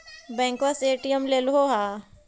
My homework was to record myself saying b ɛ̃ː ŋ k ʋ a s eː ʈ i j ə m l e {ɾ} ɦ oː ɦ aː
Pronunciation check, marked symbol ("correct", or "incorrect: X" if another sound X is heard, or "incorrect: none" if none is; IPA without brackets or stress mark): incorrect: l